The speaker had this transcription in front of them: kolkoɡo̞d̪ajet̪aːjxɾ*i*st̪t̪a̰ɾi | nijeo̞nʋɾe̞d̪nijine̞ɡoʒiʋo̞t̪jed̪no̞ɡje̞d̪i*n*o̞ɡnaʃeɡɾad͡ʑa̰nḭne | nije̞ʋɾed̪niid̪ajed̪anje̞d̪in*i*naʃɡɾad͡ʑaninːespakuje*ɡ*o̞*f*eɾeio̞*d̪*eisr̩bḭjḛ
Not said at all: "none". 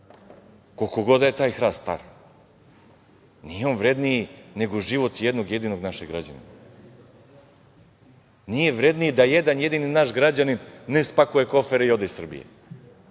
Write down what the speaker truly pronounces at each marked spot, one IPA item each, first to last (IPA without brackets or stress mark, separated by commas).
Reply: a, n, i, k, f, d̪